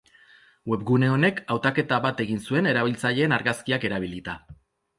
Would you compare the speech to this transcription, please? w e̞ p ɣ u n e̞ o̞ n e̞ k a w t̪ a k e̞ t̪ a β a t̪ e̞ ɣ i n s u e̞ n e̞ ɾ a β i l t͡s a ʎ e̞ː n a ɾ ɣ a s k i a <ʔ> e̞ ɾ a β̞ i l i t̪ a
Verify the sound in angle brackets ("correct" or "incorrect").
incorrect